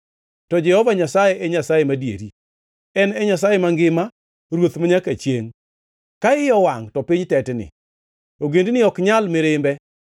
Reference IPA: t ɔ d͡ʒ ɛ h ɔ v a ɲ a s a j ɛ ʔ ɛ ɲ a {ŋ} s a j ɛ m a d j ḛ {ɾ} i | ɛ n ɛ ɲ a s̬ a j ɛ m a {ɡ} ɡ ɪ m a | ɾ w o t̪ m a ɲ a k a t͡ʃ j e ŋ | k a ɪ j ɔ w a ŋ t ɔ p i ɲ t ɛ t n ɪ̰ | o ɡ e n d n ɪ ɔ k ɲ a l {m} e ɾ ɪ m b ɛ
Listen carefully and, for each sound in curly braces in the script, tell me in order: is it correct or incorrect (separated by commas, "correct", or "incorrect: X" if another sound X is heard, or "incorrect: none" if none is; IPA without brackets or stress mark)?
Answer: incorrect: none, correct, incorrect: ŋ, correct